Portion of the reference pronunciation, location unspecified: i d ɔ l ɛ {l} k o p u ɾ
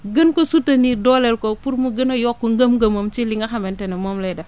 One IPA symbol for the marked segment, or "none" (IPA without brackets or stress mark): l